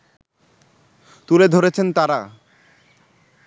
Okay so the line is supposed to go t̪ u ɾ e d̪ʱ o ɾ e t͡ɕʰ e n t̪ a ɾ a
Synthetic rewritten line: t̪ u l e d̪ʱ o ɾ e t͡ɕʰ e n t̪ a ɾ a